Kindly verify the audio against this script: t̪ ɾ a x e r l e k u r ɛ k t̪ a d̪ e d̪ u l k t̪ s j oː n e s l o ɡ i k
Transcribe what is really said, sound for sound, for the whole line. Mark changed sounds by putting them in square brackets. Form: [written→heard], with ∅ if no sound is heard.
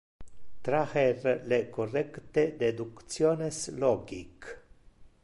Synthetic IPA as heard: t̪ ɾ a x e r l e k [u→o] r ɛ k t̪ [a→e] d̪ e d̪ u [l→∅] k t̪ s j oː n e s l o ɡ i k